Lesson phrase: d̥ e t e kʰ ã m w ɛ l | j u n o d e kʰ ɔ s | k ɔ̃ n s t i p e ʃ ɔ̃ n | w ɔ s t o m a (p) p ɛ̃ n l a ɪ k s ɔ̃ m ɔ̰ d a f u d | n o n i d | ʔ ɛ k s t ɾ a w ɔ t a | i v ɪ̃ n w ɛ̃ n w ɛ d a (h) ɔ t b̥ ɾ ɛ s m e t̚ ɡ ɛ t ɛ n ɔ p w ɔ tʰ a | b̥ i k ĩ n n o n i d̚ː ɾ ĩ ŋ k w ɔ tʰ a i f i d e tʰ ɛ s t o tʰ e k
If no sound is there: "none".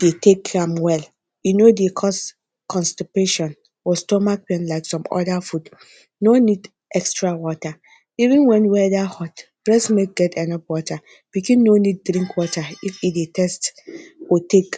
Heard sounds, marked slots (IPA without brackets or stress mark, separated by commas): k, h